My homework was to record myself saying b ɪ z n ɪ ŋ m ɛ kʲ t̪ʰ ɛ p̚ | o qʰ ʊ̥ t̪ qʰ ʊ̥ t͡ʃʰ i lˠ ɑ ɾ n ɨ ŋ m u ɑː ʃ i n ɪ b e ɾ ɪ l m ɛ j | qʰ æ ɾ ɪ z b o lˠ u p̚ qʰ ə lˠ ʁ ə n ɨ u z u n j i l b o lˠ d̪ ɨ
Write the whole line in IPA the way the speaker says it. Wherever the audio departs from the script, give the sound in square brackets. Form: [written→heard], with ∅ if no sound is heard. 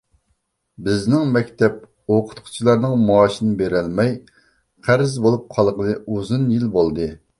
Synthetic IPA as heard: b ɪ z n ɪ ŋ m ɛ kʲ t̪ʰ ɛ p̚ | o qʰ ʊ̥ t̪ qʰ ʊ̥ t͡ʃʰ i lˠ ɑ ɾ n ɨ ŋ m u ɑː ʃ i n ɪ b e ɾ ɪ l m ɛ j | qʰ æ ɾ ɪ z b o lˠ u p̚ qʰ [ə→ɑ] lˠ ʁ ə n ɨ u z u n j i l b o lˠ d̪ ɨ